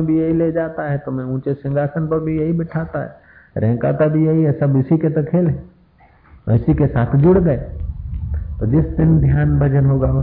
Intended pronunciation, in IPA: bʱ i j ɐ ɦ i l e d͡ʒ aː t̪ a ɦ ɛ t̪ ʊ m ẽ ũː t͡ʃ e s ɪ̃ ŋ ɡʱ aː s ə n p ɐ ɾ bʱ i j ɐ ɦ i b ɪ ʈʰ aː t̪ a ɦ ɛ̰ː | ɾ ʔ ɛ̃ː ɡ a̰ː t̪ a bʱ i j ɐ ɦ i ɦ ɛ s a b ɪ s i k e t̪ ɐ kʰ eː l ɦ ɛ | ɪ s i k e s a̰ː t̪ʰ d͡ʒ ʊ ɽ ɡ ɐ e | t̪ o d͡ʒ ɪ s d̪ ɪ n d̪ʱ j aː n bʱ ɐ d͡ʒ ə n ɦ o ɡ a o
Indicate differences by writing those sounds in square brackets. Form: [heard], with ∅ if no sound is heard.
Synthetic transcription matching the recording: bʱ i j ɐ ɦ i l e d͡ʒ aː t̪ a ɦ ɛ t̪ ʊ m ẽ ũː t͡ʃ e s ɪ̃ ŋ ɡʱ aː s ə n p ɐ ɾ bʱ i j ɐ ɦ i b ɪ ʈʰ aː t̪ a ɦ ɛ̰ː | ɾ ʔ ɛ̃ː [k] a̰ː t̪ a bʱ i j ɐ ɦ i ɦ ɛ s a b ɪ s i k e t̪ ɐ kʰ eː l ɦ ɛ | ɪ s i k e s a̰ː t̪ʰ d͡ʒ ʊ ɽ ɡ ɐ e | t̪ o d͡ʒ ɪ s d̪ ɪ n d̪ʱ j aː n bʱ ɐ d͡ʒ ə n ɦ o ɡ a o